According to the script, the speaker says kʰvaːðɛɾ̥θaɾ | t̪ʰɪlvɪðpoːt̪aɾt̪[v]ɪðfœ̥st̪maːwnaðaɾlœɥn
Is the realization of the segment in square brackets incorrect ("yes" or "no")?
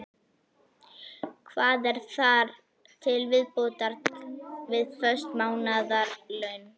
no